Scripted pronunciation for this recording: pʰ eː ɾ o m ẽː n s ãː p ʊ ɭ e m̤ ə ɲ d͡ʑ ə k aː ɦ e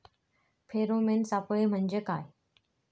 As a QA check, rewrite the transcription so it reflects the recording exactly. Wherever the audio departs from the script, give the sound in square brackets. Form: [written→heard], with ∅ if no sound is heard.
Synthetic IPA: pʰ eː ɾ o m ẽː n s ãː p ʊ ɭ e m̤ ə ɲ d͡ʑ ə k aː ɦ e